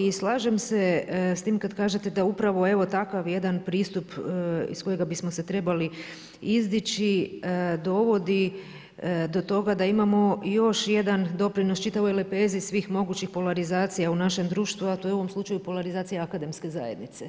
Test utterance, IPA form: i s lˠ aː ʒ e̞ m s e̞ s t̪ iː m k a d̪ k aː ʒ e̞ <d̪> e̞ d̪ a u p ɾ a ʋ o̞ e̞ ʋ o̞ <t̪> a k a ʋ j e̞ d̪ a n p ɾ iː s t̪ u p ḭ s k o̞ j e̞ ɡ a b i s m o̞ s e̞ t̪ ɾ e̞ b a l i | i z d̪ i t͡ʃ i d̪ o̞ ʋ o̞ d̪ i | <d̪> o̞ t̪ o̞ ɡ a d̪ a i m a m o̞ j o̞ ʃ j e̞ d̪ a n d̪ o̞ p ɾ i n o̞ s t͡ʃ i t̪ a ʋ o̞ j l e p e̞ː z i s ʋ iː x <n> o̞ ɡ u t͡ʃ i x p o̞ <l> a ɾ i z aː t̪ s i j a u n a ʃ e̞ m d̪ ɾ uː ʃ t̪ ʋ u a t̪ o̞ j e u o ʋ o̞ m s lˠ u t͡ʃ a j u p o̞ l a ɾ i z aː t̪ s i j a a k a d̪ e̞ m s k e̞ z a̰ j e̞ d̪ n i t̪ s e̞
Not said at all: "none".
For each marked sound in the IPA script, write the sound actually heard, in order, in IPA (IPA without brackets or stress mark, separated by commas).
t̪, t̪, d̪, m, l